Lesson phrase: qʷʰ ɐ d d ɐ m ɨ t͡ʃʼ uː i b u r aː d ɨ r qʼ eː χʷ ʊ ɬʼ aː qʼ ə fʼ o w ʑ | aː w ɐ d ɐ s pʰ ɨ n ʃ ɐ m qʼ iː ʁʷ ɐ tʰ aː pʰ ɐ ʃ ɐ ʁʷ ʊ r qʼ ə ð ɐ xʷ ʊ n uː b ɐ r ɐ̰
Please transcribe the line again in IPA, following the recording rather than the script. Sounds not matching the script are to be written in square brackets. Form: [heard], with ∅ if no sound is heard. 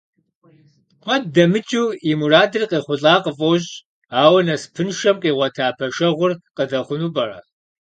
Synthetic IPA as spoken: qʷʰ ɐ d d ɐ m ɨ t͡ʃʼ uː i [m] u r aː d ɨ r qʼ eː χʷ ʊ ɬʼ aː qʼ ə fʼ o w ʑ | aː w ɐ [n] ɐ s pʰ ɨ n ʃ ɐ m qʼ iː ʁʷ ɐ tʰ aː pʰ ɐ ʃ ɐ ʁʷ ʊ r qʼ ə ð ɐ [χʷ] ʊ n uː b ɐ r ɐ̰